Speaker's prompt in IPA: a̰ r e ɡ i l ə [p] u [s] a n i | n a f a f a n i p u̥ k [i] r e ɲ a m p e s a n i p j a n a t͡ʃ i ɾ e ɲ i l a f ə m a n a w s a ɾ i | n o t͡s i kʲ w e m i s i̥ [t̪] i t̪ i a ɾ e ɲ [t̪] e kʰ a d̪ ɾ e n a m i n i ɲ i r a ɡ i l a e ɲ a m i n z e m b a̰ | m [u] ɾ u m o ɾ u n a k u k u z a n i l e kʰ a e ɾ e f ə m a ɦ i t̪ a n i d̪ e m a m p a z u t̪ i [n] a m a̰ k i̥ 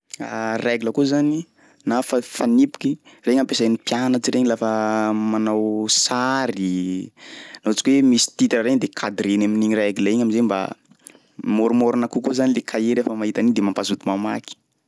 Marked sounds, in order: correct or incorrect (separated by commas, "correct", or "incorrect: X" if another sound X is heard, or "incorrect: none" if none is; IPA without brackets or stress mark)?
incorrect: k, incorrect: z, correct, correct, incorrect: d̪, incorrect: o, incorrect: m